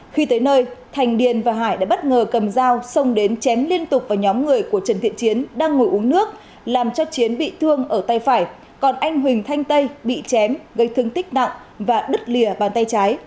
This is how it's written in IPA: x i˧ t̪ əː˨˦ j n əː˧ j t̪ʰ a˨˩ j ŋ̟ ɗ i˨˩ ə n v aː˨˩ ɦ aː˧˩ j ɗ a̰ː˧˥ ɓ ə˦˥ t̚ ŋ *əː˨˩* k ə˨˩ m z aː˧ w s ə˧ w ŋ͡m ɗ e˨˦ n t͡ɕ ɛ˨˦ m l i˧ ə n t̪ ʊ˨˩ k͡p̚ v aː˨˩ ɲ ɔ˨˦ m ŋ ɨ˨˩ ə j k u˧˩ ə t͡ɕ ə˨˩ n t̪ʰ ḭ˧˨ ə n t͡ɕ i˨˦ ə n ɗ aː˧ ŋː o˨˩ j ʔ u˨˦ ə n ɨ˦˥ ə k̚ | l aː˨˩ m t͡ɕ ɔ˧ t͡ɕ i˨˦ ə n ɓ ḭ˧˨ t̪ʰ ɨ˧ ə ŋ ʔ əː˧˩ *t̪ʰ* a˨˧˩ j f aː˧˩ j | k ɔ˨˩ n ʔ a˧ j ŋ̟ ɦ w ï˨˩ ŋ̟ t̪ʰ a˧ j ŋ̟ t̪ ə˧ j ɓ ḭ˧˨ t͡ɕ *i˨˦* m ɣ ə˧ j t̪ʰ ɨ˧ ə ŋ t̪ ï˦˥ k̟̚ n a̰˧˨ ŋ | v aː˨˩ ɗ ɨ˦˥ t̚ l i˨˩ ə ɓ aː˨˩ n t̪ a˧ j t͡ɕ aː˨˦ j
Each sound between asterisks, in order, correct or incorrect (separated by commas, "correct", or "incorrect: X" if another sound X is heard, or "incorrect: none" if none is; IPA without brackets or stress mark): correct, incorrect: t̪, incorrect: ɛ˨˦